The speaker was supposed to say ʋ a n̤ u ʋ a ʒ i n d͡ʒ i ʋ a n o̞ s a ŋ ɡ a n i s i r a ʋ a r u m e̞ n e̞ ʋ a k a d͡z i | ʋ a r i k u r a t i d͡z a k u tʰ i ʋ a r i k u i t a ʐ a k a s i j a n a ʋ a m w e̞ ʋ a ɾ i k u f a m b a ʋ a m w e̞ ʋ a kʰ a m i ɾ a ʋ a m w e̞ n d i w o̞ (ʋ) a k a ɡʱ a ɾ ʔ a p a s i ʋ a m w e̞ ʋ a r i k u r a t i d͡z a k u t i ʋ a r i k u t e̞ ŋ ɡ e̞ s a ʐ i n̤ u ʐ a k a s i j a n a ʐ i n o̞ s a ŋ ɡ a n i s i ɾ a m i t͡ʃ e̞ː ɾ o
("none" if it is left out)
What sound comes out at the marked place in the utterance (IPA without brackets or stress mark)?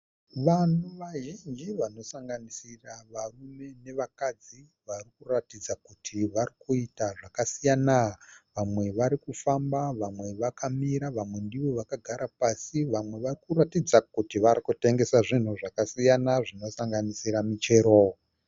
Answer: ʋ